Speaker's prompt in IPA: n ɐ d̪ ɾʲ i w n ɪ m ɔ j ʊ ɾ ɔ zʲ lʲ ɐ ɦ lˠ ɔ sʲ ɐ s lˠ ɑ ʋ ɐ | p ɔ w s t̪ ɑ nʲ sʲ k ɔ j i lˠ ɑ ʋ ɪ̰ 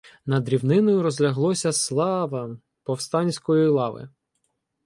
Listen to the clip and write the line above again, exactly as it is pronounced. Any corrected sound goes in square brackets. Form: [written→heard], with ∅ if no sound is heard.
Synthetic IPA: n ɐ d̪ ɾʲ i w n ɪ [m→n] ɔ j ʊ ɾ ɔ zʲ lʲ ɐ ɦ lˠ ɔ sʲ ɐ s lˠ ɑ ʋ ɐ | p ɔ w s t̪ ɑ nʲ sʲ k ɔ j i lˠ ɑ ʋ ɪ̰